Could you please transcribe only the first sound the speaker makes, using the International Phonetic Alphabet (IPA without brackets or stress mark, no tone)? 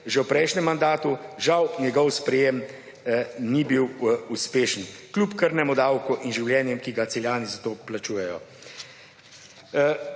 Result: ʒ